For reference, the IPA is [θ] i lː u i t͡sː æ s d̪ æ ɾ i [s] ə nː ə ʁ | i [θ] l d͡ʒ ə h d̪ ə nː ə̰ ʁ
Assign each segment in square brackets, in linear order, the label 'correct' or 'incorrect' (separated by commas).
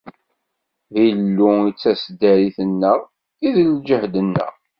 incorrect, incorrect, incorrect